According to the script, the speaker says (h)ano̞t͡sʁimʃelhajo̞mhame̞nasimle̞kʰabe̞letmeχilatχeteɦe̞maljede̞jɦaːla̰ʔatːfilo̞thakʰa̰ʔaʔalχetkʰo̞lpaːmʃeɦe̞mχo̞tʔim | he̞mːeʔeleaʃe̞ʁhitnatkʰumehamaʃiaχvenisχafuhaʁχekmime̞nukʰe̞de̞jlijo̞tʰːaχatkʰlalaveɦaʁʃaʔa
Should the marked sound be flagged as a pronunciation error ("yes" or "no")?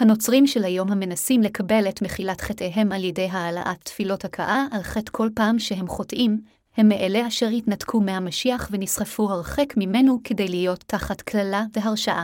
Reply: no